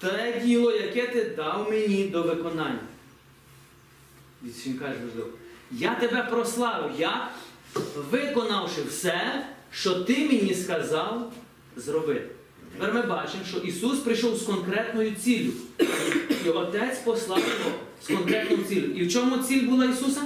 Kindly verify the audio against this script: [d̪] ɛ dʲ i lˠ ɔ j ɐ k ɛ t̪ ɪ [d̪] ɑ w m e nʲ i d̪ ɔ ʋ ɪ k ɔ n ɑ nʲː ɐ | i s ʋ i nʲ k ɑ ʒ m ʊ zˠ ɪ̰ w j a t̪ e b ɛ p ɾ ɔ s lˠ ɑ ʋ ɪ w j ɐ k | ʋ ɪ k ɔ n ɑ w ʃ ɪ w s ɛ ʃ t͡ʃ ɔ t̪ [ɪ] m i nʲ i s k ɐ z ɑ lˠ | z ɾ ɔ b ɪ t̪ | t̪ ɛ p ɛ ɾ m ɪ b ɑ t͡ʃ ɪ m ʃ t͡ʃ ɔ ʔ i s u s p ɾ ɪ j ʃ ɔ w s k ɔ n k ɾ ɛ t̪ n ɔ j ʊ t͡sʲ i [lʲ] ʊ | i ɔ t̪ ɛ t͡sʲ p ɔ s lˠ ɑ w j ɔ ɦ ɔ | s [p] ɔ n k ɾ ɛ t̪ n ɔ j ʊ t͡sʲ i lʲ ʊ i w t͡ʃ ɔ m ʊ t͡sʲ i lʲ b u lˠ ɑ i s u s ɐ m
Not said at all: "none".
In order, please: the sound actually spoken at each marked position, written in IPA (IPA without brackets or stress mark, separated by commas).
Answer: t̪, d̪, ɪ, lʲ, k